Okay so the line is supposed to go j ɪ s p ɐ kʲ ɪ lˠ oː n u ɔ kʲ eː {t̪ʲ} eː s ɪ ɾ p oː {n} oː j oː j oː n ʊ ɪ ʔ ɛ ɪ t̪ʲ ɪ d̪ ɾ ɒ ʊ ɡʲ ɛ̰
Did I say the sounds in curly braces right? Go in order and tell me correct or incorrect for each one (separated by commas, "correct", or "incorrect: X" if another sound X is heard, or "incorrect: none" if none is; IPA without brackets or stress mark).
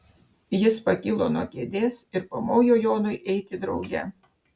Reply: incorrect: d̪ʲ, incorrect: m